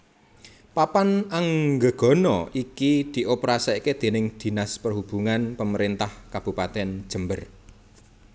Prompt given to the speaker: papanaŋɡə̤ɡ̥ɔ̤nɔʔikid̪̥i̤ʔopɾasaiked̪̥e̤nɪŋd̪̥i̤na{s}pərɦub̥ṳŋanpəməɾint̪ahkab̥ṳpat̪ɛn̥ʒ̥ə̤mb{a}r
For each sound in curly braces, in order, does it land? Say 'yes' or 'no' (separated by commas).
yes, no